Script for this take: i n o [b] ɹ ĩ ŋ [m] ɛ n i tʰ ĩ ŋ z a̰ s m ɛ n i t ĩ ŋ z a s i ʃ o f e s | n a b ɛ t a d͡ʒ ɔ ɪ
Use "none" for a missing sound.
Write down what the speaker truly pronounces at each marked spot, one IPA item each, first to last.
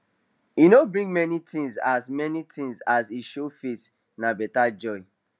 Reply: b, m

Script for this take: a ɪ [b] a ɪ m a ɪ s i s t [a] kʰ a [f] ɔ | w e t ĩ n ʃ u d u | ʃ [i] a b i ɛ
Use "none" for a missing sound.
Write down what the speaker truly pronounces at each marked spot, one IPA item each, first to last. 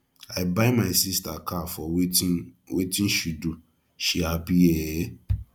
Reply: b, a, f, i

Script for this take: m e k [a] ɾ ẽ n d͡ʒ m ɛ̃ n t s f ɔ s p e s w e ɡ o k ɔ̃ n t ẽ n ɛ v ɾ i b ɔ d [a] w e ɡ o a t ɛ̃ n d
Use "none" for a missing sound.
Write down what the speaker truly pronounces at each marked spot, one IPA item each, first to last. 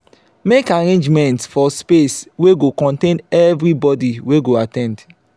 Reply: a, i

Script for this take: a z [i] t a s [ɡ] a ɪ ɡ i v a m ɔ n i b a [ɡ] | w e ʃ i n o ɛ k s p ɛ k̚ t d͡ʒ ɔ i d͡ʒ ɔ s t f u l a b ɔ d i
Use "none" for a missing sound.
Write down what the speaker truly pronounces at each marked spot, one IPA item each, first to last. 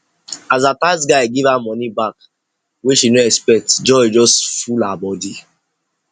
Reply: a, ɡ, k

